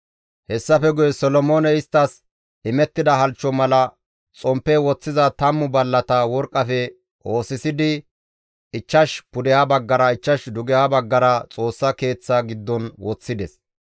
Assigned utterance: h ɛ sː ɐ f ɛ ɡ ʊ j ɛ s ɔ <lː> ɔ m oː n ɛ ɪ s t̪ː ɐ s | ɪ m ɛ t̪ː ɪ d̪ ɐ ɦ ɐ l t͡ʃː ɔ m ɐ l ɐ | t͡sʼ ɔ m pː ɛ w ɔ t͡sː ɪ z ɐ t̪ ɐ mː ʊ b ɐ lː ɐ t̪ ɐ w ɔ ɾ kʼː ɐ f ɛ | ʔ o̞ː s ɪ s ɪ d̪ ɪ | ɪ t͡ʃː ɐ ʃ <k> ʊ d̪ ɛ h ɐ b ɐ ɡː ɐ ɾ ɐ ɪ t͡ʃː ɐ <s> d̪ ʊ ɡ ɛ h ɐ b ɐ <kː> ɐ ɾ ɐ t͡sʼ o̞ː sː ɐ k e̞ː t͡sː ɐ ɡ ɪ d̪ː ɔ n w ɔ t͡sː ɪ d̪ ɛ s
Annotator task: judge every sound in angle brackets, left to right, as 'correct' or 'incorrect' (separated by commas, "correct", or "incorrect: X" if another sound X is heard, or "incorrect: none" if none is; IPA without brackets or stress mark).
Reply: incorrect: l, incorrect: p, incorrect: ʃ, incorrect: ɡː